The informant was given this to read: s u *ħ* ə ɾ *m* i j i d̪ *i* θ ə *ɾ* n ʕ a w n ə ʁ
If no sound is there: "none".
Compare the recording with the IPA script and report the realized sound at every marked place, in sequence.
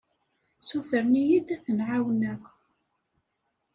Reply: θ, n, æ, none

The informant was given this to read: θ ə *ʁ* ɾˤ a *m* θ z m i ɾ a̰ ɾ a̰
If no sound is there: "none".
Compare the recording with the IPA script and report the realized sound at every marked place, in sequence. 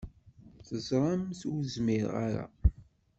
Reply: z, m

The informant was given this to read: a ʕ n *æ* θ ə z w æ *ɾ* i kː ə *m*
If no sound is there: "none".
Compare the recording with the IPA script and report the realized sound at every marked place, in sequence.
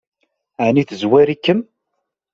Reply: i, ɾ, m

